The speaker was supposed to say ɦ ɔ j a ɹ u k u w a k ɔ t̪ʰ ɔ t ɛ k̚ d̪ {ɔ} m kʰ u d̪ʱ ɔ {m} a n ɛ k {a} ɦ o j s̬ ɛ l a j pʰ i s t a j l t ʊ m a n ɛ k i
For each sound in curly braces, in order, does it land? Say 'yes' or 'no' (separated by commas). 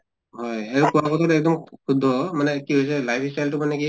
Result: yes, yes, no